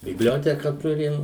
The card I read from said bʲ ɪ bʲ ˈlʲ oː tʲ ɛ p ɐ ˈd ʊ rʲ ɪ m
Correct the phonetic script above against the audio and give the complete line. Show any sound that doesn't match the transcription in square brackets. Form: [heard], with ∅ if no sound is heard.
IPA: bʲ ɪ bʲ ˈlʲ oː tʲ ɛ [k] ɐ [ˈt] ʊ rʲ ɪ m